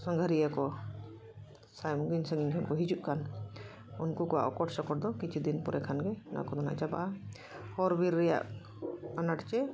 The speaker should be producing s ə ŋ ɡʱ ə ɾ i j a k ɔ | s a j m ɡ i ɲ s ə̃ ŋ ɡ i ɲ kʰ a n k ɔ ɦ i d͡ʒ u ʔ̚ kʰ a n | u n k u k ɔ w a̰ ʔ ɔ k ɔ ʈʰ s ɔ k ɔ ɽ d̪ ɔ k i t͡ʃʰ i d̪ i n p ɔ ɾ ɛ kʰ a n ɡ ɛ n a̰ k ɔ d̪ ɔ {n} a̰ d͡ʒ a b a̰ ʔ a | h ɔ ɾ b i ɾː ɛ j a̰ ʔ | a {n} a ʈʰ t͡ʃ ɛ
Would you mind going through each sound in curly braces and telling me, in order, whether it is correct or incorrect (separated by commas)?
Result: correct, correct